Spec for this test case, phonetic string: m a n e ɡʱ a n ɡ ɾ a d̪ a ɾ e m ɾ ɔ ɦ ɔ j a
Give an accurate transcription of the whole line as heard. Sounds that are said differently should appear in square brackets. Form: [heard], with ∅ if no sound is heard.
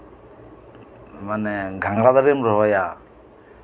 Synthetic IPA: m a n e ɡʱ a [ŋ] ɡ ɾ a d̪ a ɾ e m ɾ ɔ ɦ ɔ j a